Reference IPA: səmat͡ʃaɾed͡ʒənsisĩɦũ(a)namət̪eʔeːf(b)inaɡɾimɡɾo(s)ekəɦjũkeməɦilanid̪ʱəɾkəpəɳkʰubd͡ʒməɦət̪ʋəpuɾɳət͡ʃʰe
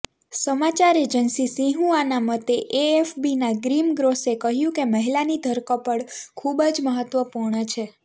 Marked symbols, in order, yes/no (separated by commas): yes, yes, yes